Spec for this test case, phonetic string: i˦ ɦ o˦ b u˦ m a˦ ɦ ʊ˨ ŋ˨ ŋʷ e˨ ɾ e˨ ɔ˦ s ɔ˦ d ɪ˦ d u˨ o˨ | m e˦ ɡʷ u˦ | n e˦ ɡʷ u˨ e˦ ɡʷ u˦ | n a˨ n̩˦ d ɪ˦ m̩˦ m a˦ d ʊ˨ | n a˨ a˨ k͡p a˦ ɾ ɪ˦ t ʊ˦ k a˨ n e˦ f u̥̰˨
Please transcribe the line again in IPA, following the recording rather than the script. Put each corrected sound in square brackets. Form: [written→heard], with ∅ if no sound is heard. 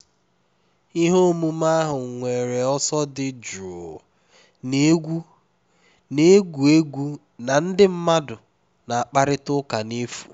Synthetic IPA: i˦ ɦ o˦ [b→m] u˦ m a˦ ɦ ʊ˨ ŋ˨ ŋʷ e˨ ɾ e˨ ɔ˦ s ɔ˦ d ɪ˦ [d→d͡ʒ] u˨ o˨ | [m→n] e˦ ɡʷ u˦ | n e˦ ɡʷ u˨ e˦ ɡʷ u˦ | n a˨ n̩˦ d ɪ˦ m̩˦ m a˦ d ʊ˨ | n a˨ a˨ k͡p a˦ ɾ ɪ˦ t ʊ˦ k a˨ n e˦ f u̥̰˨